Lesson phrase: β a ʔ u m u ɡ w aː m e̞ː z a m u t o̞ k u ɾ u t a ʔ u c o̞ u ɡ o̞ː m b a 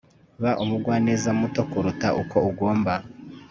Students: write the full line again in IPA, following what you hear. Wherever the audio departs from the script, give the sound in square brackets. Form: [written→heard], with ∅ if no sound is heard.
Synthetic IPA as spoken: β a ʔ u m u ɡ w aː [m→n] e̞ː z a m u t o̞ k u ɾ u t a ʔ u [c→k] o̞ u ɡ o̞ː m b a